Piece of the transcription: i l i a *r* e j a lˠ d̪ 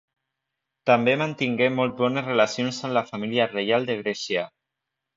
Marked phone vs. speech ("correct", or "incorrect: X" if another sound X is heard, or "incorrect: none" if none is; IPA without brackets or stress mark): correct